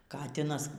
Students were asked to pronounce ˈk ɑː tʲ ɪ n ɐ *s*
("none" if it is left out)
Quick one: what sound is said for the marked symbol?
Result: s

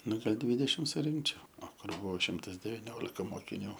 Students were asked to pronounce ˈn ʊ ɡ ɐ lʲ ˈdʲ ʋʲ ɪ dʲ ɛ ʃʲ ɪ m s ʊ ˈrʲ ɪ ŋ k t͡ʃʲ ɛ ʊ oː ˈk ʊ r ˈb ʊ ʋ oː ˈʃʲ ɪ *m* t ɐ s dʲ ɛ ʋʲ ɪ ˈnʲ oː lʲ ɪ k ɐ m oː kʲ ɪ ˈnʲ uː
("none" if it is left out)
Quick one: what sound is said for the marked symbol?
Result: m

